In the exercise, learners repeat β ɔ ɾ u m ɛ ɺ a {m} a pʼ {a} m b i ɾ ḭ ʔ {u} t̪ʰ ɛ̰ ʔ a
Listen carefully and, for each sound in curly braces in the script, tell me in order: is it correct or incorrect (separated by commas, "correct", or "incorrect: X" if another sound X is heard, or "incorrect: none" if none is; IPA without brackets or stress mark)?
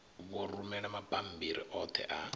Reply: correct, correct, incorrect: ɔ